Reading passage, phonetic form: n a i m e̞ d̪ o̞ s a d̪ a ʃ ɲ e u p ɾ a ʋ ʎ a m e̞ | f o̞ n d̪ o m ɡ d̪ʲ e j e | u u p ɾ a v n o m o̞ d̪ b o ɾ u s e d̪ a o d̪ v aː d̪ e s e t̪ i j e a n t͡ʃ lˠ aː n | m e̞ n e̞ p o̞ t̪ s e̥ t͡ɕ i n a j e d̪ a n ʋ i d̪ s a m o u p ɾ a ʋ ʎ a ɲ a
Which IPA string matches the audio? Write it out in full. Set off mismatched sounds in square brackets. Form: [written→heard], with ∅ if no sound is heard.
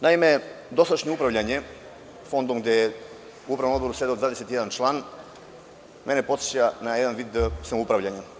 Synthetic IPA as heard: n a i m e̞ d̪ o̞ s a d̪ a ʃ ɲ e u p ɾ a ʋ ʎ a [m→ɲ] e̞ | f o̞ n d̪ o m ɡ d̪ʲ e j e | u u p ɾ a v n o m o̞ d̪ b o ɾ u s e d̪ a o d̪ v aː d̪ e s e t̪ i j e a n t͡ʃ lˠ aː n | m e̞ n e̞ p o̞ t̪ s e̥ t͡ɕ [i→a] n a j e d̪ a n ʋ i d̪ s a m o u p ɾ a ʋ ʎ a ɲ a